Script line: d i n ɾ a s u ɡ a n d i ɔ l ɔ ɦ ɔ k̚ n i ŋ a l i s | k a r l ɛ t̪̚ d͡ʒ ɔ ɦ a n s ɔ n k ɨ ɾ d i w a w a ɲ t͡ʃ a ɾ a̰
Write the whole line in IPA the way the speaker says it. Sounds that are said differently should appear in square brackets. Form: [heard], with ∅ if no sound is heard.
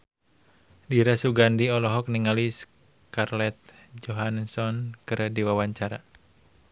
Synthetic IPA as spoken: d i [∅] ɾ a s u ɡ a n d i ɔ l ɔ ɦ ɔ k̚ n i ŋ a l i s | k a r l ɛ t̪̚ d͡ʒ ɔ ɦ a n s ɔ n k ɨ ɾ d i w a w a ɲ t͡ʃ a ɾ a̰